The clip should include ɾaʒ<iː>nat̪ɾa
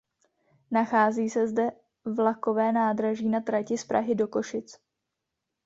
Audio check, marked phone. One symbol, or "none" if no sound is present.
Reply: iː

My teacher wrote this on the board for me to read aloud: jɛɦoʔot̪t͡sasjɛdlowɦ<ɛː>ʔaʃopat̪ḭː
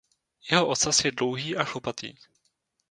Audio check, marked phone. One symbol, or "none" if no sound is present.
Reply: iː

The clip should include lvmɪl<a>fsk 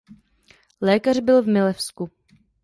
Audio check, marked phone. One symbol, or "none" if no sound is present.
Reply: ɛ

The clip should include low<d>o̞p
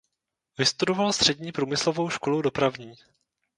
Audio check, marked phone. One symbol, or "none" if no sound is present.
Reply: d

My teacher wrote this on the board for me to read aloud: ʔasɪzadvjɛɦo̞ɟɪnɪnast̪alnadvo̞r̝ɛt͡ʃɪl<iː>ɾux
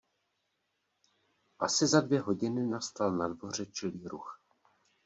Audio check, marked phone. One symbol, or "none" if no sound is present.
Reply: iː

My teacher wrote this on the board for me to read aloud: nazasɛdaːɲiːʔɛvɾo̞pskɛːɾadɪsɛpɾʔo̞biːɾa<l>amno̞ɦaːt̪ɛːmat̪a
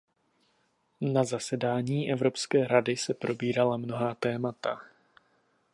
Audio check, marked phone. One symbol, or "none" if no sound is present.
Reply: l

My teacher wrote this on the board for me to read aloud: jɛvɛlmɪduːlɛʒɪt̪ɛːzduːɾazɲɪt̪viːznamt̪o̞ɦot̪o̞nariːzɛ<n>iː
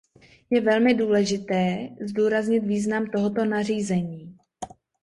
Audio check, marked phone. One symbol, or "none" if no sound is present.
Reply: ɲ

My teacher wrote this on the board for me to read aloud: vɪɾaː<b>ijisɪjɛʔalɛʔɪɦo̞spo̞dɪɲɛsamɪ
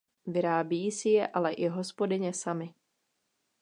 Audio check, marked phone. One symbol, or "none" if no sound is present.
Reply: b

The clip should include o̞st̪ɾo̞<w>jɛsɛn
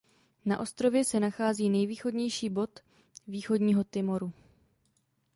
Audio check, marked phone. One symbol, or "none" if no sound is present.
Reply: v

